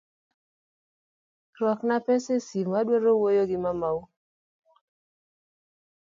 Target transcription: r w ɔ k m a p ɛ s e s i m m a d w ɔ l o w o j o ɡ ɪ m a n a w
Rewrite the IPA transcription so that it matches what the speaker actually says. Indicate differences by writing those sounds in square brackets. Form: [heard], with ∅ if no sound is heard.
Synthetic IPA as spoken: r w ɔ k [n] a p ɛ s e s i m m a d w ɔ [ɾ] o w o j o ɡ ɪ m a [m] a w